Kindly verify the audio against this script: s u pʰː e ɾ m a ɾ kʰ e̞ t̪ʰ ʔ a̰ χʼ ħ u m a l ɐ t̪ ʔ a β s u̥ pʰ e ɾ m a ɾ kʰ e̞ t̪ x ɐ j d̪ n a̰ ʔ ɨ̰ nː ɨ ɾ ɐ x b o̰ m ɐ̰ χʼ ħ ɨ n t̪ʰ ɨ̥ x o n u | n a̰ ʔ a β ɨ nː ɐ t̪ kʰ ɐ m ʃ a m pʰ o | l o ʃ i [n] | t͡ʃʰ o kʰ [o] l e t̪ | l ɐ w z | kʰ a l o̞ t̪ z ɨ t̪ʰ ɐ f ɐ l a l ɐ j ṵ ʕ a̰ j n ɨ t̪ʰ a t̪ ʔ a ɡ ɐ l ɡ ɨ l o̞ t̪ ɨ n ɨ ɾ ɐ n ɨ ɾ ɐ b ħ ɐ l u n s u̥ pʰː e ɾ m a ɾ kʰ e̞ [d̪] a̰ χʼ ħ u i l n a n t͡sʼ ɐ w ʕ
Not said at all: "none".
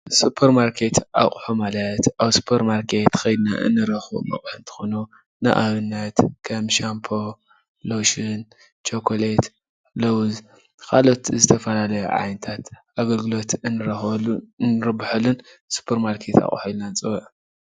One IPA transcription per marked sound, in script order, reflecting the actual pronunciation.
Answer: n, o, t̪

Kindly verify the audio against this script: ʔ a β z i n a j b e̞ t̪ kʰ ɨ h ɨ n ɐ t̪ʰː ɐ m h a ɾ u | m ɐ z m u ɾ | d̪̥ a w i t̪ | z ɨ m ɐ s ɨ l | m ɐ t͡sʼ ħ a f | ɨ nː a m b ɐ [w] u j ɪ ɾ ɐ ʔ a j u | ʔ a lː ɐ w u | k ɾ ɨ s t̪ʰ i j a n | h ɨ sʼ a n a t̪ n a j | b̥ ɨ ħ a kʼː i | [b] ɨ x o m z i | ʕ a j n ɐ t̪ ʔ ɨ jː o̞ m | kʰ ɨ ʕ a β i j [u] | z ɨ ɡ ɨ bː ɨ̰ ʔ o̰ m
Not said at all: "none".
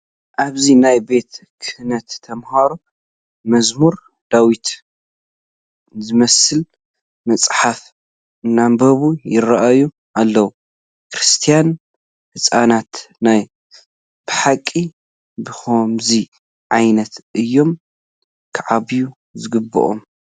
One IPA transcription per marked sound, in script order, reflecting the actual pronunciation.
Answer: β, b, u

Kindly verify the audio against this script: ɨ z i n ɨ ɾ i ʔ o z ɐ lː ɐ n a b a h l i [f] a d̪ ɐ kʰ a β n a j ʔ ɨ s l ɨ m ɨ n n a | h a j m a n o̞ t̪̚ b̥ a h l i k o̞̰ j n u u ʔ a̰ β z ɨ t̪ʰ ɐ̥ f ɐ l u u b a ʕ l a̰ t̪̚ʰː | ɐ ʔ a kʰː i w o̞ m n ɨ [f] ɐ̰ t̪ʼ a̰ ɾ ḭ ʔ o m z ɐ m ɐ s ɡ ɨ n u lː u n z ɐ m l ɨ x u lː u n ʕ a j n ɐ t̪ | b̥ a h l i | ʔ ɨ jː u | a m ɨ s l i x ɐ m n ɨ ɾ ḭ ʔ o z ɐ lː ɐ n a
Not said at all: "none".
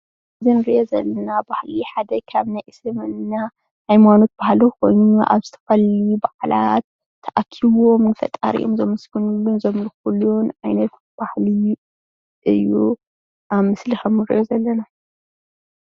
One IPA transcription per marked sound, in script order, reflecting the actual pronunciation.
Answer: ħ, f

